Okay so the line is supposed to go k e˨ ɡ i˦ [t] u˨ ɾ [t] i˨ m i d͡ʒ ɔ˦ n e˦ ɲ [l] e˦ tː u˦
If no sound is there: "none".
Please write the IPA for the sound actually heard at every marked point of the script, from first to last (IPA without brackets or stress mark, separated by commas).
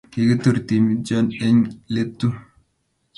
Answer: t, t, l